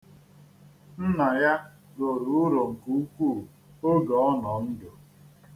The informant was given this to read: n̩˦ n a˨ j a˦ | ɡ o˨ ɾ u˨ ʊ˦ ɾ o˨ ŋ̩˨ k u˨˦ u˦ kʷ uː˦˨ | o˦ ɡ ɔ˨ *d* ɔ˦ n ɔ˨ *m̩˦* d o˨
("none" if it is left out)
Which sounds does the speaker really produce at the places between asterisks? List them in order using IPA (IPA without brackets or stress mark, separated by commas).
none, n̩˦